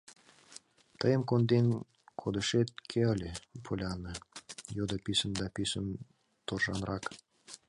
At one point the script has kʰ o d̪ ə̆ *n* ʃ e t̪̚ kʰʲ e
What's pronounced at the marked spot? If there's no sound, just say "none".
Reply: none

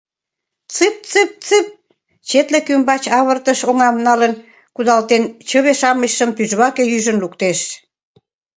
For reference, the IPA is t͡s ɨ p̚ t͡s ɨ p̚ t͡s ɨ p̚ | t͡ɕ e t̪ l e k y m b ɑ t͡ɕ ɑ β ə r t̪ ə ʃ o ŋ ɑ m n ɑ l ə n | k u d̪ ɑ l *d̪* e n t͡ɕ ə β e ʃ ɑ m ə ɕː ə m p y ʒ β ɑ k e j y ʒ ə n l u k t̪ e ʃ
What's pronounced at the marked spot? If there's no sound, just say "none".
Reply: t̪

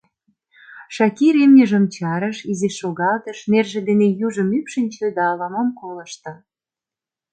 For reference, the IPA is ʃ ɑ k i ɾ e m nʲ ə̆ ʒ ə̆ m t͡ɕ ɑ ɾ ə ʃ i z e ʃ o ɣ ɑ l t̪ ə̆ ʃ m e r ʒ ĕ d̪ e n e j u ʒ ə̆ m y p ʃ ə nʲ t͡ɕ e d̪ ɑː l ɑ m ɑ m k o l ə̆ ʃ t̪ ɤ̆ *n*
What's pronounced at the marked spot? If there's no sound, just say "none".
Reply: none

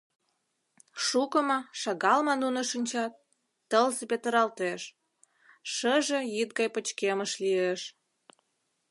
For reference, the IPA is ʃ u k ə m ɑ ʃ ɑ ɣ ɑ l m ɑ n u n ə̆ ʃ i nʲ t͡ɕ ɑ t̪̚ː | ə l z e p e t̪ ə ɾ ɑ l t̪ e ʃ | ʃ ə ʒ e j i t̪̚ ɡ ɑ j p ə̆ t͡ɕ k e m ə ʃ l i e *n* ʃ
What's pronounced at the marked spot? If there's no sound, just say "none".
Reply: none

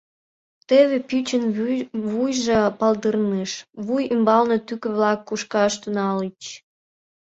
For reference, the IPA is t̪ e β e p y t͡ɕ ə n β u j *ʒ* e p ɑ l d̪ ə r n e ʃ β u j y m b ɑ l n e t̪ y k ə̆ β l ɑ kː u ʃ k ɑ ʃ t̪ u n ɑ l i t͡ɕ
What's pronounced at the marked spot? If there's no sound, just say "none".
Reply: ʒ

